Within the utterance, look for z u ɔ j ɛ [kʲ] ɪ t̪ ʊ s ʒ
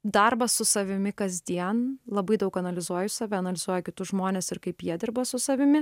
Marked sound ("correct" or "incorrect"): correct